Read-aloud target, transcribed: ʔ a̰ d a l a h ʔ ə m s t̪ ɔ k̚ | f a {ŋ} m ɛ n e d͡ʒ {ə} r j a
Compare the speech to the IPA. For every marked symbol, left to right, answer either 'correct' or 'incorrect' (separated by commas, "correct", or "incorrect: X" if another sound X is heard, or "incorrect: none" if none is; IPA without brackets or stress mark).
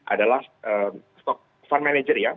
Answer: incorrect: n, correct